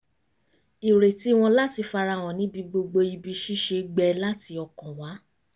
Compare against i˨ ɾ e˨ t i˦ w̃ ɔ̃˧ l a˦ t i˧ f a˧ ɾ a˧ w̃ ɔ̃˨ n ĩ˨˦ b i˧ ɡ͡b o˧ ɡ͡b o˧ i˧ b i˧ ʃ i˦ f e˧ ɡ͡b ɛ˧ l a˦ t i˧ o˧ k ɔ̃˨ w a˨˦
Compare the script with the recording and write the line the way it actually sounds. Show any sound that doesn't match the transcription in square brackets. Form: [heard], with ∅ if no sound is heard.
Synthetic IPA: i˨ ɾ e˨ t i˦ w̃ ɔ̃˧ l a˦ t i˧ f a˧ ɾ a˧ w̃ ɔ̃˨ n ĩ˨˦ b i˧ ɡ͡b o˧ ɡ͡b o˧ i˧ b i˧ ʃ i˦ [ʃ] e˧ ɡ͡b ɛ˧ l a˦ t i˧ [ɔ˧] k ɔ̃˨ w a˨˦